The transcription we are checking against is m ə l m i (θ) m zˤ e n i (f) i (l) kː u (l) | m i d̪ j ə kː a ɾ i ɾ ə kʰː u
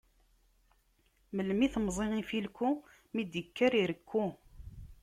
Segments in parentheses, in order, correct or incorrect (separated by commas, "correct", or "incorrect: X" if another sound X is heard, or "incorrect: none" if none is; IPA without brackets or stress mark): correct, correct, correct, incorrect: none